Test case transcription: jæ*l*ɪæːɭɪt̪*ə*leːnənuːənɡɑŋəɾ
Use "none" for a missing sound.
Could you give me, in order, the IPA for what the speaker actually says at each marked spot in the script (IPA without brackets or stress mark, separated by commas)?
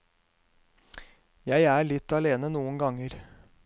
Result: none, ɑ